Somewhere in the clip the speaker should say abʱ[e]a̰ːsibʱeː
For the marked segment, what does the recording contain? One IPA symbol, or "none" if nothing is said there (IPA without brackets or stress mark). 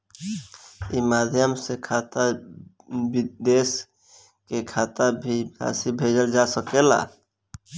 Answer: i